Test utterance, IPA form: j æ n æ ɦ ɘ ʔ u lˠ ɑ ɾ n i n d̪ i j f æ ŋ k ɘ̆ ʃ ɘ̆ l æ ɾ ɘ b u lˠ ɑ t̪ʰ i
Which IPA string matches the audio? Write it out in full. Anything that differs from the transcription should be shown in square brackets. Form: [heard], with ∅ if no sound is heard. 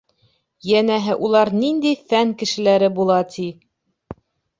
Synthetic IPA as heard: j æ n æ ɦ ɘ ʔ u lˠ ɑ ɾ n i n d̪ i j f æ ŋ k ɘ̆ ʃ ɘ̆ l æ ɾ ɘ b u lˠ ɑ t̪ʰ i